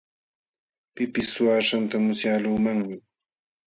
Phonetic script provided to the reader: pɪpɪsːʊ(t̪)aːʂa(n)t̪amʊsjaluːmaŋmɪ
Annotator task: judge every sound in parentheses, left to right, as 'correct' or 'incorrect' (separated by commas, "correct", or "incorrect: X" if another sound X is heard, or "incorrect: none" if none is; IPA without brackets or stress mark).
incorrect: none, correct